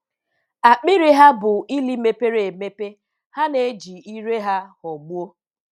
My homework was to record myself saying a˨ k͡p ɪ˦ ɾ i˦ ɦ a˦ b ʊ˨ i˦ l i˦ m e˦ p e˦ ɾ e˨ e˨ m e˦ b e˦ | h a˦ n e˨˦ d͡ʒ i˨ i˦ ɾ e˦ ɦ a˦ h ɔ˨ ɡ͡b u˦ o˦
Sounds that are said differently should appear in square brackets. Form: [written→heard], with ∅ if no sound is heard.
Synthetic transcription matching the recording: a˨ k͡p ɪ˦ ɾ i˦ ɦ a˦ b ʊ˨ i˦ l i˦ m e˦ p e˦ ɾ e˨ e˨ m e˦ [b→p] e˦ | h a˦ n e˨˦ d͡ʒ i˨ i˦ ɾ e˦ ɦ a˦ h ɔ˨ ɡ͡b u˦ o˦